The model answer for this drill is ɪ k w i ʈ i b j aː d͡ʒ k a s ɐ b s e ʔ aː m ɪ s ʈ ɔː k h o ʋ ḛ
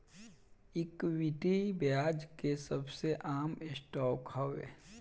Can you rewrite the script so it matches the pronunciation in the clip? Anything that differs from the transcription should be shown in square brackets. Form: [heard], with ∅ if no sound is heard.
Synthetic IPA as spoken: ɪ k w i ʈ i b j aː d͡ʒ k [e] s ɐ b s e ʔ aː m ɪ s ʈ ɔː k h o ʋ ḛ